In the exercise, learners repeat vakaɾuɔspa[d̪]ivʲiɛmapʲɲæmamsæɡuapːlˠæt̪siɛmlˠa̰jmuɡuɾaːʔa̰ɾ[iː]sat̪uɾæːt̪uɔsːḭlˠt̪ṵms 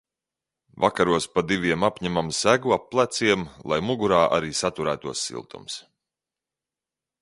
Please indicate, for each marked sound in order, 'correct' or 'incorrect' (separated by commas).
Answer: correct, correct